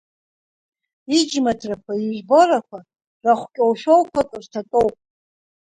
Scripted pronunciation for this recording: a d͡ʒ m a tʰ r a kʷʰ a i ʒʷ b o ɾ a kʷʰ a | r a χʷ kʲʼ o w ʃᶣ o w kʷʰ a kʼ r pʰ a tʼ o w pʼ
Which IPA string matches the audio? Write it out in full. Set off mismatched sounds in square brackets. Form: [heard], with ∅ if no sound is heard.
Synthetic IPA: [i] d͡ʒ m a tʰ r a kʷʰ a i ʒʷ b o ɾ a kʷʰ a | r a χʷ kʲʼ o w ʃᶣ o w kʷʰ a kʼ r [tʰ] a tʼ o w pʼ